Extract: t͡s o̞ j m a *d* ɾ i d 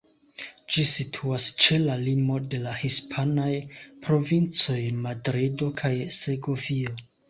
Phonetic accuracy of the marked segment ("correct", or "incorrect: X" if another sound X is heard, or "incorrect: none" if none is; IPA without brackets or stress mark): correct